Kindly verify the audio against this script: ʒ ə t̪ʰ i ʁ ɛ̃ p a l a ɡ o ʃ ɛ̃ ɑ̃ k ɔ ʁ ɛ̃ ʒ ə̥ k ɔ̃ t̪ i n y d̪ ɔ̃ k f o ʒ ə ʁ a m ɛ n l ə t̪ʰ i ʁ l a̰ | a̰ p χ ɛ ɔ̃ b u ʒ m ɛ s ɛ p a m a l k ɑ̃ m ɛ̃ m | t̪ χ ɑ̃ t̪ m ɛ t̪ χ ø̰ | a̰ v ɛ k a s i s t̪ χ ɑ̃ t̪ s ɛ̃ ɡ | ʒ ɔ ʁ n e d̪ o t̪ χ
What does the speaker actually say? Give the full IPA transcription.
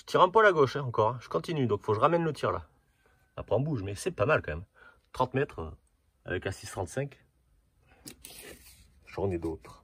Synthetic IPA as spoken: ʒ ə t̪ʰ i ʁ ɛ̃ p a l a ɡ o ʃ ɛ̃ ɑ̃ k ɔ ʁ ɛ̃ ʒ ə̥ k ɔ̃ t̪ i n y d̪ ɔ̃ k f o ʒ ə ʁ a m ɛ n l ə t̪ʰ i ʁ l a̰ | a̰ p χ ɛ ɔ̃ b u ʒ m ɛ s ɛ p a m a l k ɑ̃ m ɛ m | t̪ χ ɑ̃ t̪ m ɛ t̪ χ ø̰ | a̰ v ɛ k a s i s t̪ χ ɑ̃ t̪ s ɛ̃ k | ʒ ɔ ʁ n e d̪ o t̪ χ